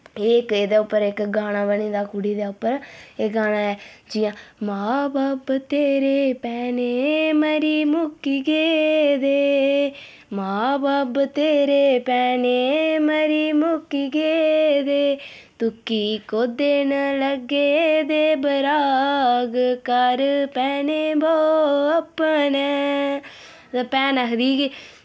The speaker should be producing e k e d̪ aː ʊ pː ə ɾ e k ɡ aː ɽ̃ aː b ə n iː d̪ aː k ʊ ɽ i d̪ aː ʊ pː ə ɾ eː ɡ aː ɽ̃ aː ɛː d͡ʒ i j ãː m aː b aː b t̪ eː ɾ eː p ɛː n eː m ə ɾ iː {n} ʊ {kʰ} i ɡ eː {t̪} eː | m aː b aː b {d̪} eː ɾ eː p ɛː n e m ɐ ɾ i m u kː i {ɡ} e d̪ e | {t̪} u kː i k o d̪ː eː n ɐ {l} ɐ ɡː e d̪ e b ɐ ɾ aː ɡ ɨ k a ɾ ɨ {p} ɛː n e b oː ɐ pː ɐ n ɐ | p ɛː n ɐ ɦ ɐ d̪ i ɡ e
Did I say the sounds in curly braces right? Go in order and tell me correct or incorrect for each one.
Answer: incorrect: m, incorrect: k, incorrect: d̪, incorrect: t̪, correct, correct, correct, correct

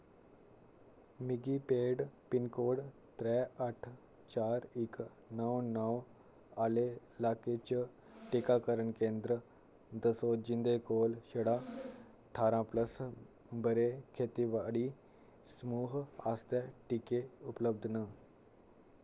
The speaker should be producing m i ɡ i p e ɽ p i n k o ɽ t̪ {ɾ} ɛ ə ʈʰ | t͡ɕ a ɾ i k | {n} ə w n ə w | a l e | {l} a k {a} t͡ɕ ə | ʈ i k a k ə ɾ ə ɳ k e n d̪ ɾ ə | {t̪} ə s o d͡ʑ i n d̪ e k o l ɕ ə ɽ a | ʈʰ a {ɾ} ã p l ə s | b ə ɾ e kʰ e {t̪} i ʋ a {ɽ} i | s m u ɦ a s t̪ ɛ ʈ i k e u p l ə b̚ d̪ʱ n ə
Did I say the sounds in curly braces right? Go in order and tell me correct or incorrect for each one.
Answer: correct, correct, correct, incorrect: e, incorrect: d̪, correct, correct, correct

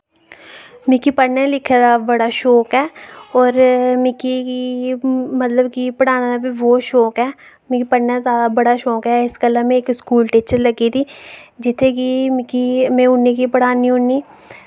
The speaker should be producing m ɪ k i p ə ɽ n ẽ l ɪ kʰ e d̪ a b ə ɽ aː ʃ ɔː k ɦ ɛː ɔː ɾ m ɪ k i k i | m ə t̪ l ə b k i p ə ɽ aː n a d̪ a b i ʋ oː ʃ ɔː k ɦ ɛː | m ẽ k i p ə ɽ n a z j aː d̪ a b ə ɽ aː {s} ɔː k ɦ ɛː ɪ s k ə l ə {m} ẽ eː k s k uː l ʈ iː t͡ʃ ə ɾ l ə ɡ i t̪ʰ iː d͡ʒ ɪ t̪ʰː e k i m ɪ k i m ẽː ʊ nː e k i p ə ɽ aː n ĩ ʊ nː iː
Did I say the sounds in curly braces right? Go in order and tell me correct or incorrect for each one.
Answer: incorrect: ʃ, correct

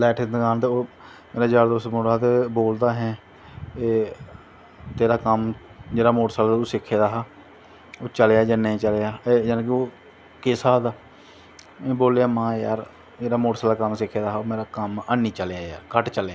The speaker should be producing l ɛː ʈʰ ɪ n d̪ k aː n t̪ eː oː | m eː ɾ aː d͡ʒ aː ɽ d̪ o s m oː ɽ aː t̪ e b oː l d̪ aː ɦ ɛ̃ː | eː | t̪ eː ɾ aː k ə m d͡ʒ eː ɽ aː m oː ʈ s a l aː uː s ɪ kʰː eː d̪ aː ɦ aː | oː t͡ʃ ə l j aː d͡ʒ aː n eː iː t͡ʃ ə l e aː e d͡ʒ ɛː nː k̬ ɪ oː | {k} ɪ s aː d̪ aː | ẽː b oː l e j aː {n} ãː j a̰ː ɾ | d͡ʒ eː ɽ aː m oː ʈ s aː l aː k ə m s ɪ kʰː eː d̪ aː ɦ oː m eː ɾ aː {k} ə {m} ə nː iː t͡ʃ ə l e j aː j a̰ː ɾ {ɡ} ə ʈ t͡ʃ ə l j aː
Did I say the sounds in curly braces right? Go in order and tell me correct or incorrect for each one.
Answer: correct, incorrect: m, correct, correct, incorrect: k

